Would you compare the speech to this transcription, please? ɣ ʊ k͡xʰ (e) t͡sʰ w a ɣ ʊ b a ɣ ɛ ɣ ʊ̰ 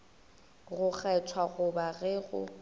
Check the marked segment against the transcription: incorrect: ɛ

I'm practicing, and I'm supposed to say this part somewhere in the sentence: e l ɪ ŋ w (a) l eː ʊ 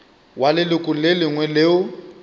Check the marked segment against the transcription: incorrect: ɛ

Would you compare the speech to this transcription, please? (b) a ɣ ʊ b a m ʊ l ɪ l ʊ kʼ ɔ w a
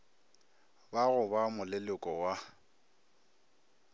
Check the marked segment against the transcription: correct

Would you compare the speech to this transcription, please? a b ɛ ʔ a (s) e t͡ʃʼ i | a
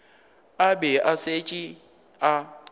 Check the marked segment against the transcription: correct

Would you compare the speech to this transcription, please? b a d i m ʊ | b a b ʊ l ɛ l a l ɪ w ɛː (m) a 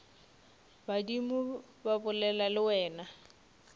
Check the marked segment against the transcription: incorrect: n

